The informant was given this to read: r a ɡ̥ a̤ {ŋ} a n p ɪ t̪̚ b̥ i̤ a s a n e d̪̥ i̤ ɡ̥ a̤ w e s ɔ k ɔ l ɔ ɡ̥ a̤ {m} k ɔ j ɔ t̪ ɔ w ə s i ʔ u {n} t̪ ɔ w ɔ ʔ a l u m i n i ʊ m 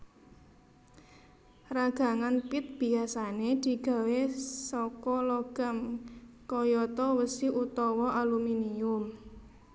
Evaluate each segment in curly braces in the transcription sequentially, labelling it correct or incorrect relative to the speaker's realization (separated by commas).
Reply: correct, correct, incorrect